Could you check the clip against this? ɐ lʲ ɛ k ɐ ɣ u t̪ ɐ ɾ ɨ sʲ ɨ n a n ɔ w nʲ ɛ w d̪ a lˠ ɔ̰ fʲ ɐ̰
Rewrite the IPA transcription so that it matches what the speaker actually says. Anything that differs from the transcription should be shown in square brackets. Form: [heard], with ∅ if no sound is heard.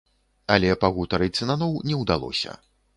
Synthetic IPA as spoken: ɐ lʲ ɛ [p] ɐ ɣ u t̪ ɐ ɾ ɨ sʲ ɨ n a n ɔ w nʲ ɛ w d̪ a lˠ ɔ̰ [sʲ] ɐ̰